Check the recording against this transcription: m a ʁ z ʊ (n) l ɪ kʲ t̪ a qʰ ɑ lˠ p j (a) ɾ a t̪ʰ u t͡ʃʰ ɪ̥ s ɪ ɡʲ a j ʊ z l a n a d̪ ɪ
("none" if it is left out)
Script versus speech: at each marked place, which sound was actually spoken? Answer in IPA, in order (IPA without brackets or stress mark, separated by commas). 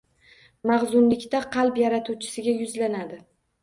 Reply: n, a